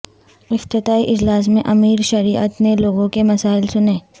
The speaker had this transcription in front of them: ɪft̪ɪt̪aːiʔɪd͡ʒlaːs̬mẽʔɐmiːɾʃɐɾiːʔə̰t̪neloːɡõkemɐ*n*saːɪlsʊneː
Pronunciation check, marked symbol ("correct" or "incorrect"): incorrect